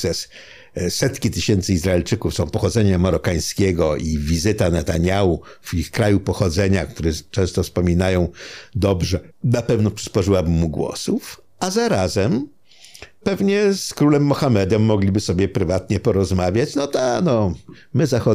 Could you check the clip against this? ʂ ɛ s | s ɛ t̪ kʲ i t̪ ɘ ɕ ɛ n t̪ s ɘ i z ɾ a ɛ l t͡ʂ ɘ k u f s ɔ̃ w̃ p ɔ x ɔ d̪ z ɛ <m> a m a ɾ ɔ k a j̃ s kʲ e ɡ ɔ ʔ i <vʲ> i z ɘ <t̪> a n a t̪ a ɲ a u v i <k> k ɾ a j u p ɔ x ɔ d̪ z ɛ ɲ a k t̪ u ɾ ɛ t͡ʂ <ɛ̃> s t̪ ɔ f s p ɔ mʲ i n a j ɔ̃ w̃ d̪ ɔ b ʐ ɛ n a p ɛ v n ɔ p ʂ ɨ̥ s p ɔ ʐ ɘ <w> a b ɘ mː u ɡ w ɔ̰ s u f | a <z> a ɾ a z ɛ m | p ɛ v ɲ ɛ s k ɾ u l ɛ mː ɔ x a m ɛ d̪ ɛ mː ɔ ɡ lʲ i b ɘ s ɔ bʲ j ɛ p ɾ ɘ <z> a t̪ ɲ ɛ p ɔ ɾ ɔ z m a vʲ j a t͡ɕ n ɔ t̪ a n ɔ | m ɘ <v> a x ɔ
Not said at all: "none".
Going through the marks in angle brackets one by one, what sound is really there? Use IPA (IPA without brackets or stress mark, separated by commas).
ɲ, vʲ, t̪, x, ɛ̃, w, z, v, z